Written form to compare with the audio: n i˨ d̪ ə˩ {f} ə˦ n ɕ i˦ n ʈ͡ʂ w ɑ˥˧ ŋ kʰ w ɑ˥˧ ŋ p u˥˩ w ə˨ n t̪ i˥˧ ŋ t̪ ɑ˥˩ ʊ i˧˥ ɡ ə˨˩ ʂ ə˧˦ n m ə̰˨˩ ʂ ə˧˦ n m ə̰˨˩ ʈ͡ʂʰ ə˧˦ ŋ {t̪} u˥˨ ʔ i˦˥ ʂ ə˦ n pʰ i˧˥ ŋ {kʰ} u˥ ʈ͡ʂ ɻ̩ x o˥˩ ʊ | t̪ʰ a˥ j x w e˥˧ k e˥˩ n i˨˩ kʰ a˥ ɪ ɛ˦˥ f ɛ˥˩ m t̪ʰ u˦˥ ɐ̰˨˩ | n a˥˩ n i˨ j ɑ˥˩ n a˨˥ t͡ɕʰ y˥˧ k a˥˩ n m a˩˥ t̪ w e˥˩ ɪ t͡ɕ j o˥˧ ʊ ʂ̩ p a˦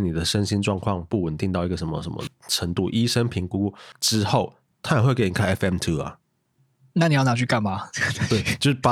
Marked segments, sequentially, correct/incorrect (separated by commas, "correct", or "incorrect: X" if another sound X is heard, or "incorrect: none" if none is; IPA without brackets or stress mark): incorrect: ʂ, correct, incorrect: k